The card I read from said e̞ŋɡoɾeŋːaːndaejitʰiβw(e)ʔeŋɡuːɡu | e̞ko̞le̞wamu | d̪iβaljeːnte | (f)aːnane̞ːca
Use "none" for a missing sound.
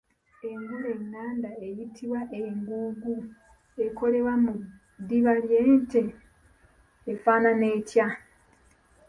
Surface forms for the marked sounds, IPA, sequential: a, f

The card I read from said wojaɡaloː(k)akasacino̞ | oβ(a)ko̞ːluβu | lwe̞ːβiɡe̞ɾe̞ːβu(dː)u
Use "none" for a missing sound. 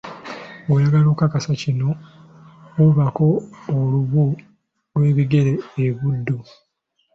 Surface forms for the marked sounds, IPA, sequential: k, a, dː

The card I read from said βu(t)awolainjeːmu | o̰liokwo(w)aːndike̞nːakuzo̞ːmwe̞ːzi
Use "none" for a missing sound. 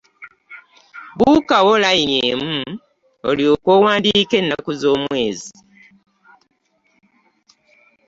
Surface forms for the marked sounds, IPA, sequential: k, w

